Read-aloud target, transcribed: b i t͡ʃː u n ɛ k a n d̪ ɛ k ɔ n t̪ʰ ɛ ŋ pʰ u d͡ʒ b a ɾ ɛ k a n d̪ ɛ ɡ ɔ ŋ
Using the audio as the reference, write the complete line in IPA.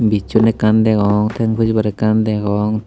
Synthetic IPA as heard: b i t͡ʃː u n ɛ k a n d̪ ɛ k ɔ ŋ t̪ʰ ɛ ŋ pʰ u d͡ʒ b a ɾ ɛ k a n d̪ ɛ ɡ ɔ ŋ